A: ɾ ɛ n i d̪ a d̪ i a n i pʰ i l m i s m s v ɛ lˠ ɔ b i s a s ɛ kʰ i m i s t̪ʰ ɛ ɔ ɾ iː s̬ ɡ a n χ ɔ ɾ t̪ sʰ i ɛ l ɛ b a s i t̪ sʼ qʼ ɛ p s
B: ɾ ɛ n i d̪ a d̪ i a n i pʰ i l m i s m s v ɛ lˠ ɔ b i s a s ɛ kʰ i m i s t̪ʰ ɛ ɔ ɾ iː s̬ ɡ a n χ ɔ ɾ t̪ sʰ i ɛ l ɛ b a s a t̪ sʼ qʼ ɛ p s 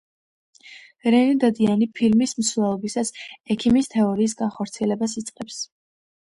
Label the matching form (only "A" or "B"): A